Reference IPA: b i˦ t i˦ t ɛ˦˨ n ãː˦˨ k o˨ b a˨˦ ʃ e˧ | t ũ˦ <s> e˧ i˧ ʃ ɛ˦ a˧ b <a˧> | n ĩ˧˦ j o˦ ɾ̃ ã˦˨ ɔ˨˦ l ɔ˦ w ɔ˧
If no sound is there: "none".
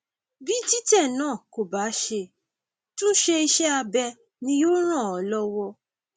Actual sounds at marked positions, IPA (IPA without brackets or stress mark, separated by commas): ʃ, ɛ˧